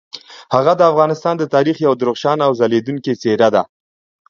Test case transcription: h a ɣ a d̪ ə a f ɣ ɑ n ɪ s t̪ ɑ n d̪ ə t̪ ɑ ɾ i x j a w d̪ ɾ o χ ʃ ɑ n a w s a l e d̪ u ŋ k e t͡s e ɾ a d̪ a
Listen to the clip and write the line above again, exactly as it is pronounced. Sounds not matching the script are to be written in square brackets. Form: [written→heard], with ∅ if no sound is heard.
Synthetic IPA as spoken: h a ɣ a d̪ ə a f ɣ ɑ n ɪ s t̪ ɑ n d̪ ə t̪ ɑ ɾ i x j a w d̪ ɾ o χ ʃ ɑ n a w [s→z] a l e d̪ u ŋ k e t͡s e ɾ a d̪ a